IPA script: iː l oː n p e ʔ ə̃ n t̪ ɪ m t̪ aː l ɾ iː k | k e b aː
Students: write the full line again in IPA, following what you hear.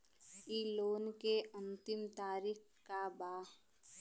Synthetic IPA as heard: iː l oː n k e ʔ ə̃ n t̪ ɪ m t̪ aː ɾ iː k | k a b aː